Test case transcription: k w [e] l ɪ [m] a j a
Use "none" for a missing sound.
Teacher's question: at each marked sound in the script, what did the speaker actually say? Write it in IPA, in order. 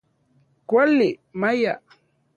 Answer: a, m

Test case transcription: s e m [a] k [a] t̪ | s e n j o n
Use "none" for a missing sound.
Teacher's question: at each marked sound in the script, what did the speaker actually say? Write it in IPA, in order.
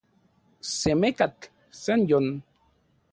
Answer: e, a

